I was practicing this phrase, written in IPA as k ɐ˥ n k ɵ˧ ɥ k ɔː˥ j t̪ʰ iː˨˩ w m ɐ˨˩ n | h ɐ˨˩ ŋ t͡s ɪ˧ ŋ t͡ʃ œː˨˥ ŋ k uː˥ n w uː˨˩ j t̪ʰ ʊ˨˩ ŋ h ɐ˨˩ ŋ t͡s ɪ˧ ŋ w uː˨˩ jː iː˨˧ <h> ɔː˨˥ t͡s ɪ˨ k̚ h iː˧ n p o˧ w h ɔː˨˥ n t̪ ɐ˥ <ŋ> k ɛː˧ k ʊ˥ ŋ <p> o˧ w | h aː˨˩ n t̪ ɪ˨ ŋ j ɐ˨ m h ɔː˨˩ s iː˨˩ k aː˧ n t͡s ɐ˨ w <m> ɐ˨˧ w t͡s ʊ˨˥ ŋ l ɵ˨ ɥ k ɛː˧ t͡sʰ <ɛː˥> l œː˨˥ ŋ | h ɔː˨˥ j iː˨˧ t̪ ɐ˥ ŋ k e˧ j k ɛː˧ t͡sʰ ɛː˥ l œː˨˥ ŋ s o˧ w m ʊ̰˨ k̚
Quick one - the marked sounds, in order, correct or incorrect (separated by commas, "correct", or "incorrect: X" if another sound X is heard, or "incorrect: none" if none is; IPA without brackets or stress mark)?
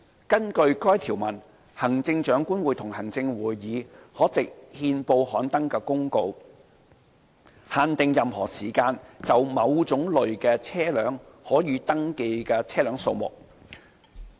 correct, correct, incorrect: k, correct, correct